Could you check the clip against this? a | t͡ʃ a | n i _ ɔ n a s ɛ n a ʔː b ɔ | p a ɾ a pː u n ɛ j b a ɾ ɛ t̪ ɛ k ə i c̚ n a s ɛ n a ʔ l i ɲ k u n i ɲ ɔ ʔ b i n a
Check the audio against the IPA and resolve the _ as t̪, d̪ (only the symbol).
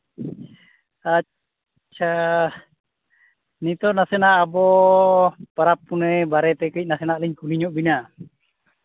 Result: t̪